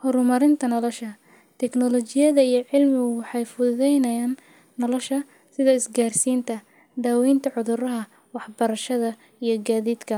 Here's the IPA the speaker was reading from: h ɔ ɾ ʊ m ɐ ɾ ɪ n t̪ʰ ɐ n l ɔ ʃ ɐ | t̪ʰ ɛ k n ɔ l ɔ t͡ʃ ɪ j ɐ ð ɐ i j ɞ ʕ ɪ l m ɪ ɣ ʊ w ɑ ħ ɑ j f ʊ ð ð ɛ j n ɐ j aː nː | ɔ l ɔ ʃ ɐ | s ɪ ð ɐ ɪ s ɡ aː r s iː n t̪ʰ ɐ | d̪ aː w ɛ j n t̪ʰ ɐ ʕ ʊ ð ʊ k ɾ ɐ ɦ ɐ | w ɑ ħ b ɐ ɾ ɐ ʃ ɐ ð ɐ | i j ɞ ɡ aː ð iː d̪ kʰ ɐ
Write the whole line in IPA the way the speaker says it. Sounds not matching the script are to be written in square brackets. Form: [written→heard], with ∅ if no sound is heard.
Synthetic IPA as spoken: h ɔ ɾ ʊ m ɐ ɾ ɪ n t̪ʰ ɐ n l ɔ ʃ ɐ | t̪ʰ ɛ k n ɔ l ɔ t͡ʃ ɪ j ɐ ð ɐ i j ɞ ʕ ɪ l m ɪ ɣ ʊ w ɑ ħ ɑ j f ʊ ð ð ɛ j n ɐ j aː nː | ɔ l ɔ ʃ ɐ | s ɪ ð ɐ ɪ s ɡ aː r s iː n t̪ʰ ɐ | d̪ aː w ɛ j n t̪ʰ ɐ ʕ ʊ ð ʊ [k→∅] ɾ ɐ ɦ ɐ | w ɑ ħ b ɐ ɾ ɐ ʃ ɐ ð ɐ | i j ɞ ɡ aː ð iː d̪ kʰ ɐ